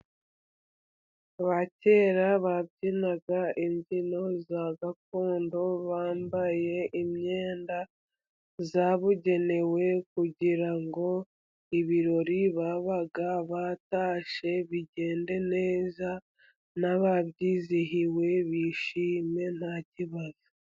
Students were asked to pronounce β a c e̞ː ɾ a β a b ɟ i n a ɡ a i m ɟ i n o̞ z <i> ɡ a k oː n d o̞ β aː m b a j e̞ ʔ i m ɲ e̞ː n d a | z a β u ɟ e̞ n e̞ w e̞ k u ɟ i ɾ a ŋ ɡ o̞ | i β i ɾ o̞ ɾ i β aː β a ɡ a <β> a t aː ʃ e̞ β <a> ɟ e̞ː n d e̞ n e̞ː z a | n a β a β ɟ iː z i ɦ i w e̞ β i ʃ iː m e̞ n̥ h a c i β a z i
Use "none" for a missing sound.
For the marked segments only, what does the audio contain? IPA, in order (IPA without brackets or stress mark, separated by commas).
a, β, i